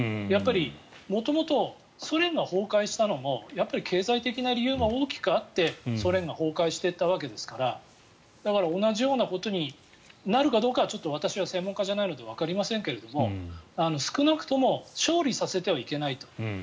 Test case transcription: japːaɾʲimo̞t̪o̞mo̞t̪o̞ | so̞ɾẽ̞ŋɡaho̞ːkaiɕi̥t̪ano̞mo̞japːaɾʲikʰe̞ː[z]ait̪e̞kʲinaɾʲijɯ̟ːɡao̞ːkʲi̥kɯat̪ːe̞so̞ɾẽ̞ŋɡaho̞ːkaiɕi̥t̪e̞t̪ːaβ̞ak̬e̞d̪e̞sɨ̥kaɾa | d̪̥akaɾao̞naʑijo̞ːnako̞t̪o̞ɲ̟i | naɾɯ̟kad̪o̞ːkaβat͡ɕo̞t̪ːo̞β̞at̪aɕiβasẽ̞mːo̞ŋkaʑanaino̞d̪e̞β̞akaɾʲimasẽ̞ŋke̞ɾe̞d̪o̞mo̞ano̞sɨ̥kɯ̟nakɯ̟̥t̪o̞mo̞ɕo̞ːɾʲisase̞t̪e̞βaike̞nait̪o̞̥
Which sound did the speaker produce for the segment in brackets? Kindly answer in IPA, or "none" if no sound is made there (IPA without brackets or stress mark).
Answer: z